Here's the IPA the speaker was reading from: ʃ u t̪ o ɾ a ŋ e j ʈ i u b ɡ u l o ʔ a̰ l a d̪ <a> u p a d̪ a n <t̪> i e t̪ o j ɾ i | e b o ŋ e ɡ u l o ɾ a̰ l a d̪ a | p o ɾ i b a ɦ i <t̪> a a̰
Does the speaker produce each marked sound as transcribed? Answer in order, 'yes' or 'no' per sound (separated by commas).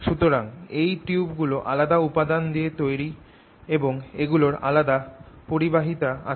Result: yes, no, yes